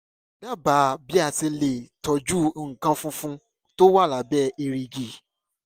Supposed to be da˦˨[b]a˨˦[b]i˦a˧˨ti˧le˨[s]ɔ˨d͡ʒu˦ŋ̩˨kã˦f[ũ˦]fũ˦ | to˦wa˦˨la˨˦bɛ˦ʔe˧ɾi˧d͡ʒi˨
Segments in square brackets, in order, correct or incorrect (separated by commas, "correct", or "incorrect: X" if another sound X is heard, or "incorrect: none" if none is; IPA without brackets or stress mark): correct, correct, incorrect: t, correct